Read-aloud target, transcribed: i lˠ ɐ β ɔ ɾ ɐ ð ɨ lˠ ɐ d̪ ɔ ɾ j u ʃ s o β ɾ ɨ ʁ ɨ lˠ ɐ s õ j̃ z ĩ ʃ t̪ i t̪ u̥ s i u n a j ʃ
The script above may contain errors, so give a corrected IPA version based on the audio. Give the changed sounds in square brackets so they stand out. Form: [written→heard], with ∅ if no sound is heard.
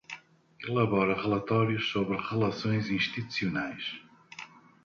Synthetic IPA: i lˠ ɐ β ɔ ɾ ɐ [ð→ʁ] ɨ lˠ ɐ [d̪→t̪] ɔ ɾ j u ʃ s o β ɾ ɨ ʁ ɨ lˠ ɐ s õ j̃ z ĩ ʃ t̪ i t̪ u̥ s i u n a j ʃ